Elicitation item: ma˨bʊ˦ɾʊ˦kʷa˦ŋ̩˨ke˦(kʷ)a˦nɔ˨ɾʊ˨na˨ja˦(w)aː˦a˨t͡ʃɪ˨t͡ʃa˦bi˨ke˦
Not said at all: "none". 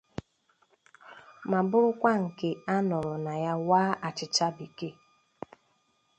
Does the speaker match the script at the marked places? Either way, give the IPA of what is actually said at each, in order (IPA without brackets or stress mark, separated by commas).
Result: none, w